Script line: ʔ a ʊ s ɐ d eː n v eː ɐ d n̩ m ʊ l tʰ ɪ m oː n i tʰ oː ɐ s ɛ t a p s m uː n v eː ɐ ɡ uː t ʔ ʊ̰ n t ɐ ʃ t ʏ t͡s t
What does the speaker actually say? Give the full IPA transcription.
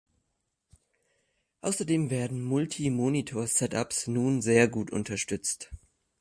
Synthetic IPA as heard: ʔ a ʊ s ɐ d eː m v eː ɐ d n̩ m ʊ l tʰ i m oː n i tʰ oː ɐ s ɛ t a p s n uː n z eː ɐ ɡ uː t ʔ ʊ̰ n t ɐ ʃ t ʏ t͡s t